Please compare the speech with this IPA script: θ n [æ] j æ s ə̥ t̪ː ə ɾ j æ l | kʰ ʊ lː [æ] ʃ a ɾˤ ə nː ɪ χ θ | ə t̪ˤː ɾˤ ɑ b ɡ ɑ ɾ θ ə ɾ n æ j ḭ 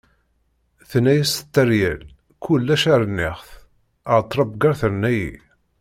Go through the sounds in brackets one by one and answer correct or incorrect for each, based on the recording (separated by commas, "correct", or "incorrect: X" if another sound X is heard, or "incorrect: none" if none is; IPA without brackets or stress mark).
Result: correct, correct